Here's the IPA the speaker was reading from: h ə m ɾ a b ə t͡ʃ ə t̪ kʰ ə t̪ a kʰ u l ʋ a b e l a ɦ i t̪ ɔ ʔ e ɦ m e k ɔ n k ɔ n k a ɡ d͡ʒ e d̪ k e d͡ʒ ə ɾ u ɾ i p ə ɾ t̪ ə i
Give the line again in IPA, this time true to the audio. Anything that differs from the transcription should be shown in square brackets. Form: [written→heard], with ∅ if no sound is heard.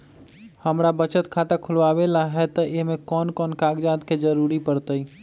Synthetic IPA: h ə m ɾ a b ə t͡ʃ ə t̪ kʰ [ə→a] t̪ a kʰ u l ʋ a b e l a ɦ [i→ɛ] t̪ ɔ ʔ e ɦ m e k ɔ n k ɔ n k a ɡ d͡ʒ [e→a] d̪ k e d͡ʒ ə ɾ u ɾ i p ə ɾ t̪ ə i